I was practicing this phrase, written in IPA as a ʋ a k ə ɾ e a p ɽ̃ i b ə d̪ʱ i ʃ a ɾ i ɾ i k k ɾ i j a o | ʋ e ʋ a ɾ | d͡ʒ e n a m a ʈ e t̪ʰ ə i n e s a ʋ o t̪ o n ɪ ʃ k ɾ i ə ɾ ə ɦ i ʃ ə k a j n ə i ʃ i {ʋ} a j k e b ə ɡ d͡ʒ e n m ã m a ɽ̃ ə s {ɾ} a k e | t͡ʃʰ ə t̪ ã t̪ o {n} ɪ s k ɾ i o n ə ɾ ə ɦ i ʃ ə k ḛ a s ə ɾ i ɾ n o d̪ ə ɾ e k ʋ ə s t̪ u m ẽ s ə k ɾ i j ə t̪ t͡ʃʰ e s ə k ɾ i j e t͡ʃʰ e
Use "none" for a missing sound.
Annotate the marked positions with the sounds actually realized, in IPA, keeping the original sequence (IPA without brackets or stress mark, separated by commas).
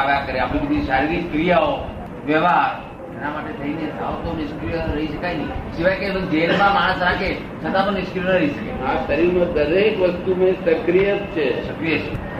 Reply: ʋ, ɾ, n